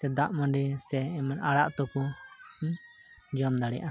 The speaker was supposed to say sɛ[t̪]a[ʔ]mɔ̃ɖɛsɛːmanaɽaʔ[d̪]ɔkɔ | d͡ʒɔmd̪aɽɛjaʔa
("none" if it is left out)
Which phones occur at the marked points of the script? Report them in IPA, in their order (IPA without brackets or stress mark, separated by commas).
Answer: d̪, ʔ, t̪